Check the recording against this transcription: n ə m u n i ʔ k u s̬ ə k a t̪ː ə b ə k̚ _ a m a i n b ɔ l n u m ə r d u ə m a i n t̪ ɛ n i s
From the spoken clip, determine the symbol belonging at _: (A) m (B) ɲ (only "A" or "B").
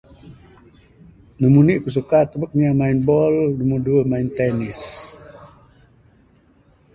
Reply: B